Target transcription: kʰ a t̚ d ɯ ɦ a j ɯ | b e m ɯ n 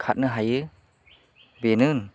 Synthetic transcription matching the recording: kʰ a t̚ n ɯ ɦ a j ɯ | b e n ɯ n